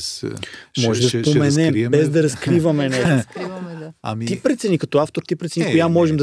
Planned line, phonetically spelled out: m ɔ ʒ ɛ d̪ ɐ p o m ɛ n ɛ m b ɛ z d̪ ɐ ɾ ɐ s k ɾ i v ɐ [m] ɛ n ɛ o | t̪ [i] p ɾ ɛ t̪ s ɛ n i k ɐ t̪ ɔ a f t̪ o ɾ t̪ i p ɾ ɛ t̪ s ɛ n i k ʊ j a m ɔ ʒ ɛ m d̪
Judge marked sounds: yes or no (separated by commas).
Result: yes, yes